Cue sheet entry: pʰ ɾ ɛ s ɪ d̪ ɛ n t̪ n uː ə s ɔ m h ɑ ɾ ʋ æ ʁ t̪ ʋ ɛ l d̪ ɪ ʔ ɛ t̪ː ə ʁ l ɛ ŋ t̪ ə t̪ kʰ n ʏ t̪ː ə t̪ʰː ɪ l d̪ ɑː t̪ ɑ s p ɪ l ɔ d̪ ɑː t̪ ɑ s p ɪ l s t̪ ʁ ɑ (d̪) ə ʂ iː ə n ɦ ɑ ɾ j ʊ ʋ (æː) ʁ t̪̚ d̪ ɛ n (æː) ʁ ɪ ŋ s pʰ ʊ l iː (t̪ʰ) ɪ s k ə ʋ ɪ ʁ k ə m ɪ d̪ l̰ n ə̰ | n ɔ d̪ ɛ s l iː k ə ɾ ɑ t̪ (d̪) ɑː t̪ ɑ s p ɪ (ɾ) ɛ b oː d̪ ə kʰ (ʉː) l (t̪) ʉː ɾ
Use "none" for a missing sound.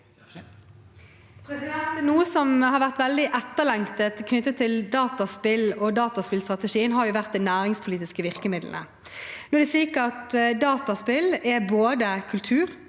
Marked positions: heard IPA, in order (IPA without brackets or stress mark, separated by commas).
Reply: t̪, æ, æː, t̪, d̪, l, ʉ, t̪ʰ